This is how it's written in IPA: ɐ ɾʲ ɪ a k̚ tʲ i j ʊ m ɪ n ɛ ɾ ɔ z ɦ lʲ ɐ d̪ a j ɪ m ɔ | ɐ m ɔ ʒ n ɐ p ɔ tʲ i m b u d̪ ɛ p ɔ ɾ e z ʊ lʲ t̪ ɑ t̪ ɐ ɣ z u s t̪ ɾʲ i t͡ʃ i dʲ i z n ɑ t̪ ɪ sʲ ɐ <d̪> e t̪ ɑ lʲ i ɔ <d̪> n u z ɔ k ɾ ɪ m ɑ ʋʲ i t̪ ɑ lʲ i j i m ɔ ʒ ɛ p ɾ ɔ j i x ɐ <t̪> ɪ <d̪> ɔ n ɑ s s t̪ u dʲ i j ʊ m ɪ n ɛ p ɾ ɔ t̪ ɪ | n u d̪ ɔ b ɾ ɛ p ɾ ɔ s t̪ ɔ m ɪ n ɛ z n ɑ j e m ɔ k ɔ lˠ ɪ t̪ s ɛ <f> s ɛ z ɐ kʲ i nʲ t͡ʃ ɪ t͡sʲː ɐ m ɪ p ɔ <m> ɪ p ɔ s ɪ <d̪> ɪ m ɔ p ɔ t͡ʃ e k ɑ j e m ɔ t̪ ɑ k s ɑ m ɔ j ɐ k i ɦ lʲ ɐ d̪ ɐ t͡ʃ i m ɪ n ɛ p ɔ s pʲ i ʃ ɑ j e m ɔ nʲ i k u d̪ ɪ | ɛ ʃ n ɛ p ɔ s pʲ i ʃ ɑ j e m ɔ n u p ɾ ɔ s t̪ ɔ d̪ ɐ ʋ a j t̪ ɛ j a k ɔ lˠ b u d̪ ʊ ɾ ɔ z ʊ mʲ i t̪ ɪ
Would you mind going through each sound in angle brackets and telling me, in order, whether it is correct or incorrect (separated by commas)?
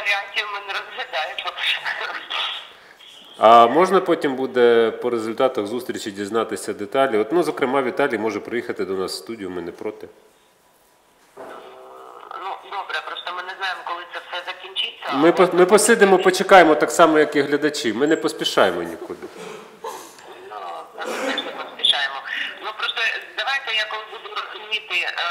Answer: correct, incorrect, correct, correct, correct, correct, correct